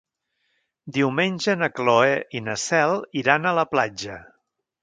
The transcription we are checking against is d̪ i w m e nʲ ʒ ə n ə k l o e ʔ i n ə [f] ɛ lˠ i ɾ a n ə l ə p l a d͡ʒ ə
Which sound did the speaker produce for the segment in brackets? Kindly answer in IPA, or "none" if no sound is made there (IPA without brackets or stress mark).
s